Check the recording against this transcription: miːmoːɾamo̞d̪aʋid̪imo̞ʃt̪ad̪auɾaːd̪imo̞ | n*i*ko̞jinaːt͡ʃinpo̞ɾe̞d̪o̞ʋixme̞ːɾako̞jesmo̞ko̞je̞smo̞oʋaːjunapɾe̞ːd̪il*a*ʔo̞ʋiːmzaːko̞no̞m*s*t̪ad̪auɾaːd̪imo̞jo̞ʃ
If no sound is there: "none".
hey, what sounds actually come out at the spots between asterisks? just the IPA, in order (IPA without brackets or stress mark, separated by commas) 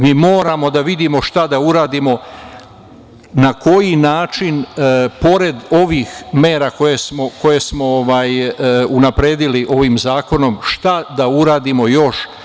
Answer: a, i, ʃ